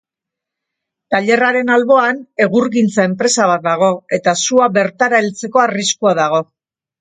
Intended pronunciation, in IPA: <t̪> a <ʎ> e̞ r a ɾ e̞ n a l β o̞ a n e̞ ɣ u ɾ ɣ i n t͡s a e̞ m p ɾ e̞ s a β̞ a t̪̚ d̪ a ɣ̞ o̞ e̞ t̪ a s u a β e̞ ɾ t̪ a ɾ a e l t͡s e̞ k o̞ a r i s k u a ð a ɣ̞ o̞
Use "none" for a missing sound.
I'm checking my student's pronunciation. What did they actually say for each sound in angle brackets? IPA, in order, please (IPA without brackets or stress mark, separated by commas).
t̪, ʎ